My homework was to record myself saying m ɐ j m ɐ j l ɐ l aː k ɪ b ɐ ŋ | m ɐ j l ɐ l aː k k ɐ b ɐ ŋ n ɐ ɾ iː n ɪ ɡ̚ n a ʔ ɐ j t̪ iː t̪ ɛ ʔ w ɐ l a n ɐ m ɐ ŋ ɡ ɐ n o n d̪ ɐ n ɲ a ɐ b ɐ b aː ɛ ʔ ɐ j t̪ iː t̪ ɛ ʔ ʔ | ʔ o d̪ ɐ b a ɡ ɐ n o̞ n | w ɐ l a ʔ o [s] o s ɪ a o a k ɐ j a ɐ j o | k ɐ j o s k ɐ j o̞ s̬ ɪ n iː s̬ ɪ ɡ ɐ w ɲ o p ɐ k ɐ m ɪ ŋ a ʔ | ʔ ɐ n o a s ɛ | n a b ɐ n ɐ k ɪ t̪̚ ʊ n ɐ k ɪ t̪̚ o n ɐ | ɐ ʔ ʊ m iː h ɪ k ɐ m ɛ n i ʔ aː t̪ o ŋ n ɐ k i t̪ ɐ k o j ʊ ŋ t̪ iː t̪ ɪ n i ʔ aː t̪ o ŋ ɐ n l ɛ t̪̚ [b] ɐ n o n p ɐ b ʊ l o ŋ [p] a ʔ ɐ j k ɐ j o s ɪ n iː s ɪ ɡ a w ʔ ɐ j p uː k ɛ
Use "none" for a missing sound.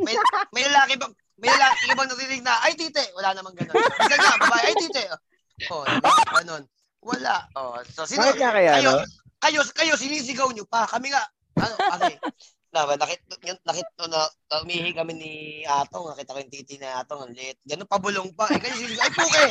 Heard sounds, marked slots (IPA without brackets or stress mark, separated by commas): s, ɡ, p